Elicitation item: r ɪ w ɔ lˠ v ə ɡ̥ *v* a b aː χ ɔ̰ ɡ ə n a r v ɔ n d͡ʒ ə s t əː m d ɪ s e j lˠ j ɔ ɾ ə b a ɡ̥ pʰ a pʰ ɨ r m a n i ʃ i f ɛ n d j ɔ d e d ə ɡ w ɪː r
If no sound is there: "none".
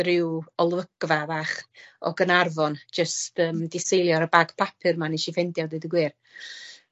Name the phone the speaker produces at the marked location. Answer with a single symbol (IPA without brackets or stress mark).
v